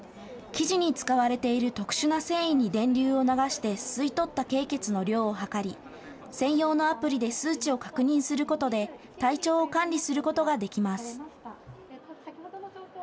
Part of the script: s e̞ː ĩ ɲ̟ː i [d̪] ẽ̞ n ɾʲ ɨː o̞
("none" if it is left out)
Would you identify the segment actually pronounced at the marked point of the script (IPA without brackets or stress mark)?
d̪